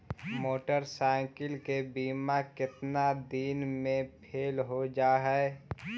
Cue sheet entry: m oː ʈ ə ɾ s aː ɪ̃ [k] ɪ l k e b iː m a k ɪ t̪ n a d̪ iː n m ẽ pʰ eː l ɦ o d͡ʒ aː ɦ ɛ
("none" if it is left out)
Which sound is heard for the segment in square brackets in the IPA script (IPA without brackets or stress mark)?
k